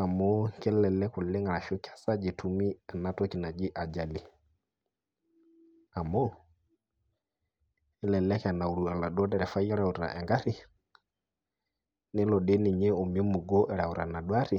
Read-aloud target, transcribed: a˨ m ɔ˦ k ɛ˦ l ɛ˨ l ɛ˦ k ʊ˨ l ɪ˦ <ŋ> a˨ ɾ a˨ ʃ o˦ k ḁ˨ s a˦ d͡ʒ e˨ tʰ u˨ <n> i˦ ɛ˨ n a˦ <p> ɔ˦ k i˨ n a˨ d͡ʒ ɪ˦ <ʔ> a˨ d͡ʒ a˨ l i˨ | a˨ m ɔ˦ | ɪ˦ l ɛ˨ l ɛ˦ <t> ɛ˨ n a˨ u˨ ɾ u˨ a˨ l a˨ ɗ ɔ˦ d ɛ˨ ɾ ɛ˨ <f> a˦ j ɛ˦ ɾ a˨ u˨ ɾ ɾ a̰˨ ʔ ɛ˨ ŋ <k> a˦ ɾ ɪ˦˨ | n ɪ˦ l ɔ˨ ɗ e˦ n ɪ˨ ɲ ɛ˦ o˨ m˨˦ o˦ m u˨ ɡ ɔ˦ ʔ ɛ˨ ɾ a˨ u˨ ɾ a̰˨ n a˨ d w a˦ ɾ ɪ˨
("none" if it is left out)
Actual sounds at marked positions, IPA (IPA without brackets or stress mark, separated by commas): ŋ, m, t, ʔ, k, f, ɡ